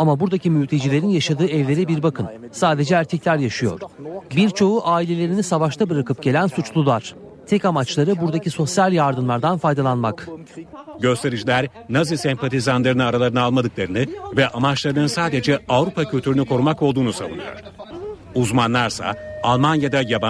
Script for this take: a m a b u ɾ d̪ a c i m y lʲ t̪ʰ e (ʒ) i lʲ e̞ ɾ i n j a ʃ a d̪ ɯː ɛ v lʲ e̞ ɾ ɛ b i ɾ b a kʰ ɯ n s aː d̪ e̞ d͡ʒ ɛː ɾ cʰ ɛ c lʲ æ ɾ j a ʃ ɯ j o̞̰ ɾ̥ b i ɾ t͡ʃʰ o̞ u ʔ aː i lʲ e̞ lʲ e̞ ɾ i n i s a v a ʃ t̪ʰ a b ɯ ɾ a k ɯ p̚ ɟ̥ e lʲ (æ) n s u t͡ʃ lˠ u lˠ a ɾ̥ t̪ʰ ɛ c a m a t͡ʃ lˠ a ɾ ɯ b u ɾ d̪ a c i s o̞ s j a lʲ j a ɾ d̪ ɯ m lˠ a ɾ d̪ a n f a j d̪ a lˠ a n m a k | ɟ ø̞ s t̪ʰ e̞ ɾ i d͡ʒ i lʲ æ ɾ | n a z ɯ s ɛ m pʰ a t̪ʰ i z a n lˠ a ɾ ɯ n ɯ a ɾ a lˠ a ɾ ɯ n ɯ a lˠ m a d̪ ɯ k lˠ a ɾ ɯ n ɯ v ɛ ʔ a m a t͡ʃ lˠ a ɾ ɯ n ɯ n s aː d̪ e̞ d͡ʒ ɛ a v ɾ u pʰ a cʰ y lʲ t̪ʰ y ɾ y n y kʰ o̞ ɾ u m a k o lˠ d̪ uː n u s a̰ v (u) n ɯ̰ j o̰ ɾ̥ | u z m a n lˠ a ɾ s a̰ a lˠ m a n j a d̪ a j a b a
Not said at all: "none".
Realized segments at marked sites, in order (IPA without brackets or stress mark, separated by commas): d͡ʒ, æ, u